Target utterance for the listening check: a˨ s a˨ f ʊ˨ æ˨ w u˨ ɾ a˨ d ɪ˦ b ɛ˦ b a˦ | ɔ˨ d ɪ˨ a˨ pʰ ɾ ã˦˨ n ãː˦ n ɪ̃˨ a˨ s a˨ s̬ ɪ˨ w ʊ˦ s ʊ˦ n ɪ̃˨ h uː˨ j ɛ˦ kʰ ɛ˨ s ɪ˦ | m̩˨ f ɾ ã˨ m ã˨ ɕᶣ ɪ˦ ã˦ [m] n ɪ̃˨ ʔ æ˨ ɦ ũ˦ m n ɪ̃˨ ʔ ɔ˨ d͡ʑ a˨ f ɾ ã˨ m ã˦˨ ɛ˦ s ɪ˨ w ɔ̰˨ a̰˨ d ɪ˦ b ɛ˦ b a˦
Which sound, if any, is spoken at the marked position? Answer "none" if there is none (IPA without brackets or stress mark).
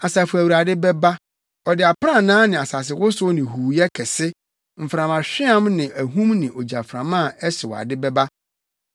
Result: m